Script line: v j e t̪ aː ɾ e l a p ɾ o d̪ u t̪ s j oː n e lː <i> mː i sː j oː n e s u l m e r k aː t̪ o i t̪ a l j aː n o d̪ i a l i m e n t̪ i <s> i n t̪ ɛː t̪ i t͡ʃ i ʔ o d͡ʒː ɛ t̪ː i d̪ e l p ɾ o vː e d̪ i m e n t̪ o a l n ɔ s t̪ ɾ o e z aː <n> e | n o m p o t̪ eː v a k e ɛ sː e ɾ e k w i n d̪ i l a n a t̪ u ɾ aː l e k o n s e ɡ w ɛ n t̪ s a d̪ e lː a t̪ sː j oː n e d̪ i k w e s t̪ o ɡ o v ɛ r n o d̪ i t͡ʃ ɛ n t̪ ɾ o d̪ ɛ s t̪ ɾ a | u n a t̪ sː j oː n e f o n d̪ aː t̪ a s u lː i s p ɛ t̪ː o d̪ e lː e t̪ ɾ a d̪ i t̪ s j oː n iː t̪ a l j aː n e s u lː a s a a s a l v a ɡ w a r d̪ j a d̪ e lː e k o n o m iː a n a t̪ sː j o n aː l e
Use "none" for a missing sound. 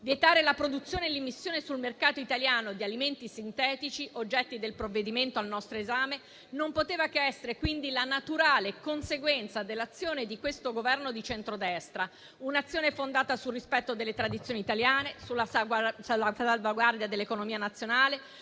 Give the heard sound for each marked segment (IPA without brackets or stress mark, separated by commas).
i, s, m